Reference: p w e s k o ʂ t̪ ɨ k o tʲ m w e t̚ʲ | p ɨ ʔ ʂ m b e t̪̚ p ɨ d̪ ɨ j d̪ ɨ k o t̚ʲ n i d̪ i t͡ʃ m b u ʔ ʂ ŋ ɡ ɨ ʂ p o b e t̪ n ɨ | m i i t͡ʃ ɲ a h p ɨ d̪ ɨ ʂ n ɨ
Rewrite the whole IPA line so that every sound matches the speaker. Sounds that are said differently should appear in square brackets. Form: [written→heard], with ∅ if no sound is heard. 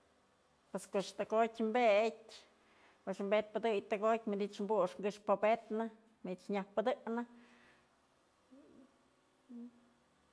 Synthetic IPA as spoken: p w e s k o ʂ t̪ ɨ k o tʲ m [w→b] e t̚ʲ | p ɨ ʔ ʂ m b e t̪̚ p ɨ d̪ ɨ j [d̪→t̪] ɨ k o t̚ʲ [n→m] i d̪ i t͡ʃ m b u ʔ ʂ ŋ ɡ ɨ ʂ p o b e t̪ n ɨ | m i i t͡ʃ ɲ a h p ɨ d̪ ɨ [ʂ→∅] n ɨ